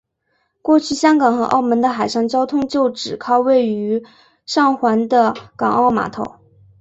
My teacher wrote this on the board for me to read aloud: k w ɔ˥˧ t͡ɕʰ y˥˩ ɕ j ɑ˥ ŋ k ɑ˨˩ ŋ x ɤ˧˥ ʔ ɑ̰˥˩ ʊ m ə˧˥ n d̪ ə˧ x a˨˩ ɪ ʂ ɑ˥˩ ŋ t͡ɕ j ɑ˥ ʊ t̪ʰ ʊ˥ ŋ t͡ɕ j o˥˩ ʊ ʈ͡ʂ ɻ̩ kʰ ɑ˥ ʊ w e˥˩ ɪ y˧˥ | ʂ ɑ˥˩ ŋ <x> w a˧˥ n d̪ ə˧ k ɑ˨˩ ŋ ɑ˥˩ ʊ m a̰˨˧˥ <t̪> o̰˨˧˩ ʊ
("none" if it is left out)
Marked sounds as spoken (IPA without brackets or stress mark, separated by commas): x, t̪ʰ